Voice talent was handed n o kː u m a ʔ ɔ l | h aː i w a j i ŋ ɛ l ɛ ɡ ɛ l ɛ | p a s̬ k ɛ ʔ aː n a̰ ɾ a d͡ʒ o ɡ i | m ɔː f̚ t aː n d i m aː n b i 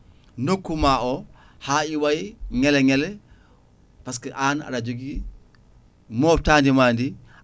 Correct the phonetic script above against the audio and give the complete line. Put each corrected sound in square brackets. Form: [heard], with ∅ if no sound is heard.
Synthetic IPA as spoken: n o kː u m a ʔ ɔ [∅] | h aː i w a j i ŋ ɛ l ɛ [ŋ] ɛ l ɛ | p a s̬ k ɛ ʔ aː n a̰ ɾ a d͡ʒ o ɡ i | m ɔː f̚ t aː n d i m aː n [d] i